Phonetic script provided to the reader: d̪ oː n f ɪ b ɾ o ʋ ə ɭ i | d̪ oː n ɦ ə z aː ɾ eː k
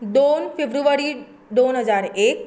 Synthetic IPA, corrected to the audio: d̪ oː n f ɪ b ɾ u ʋ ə ɾ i | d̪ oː n ɦ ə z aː ɾ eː k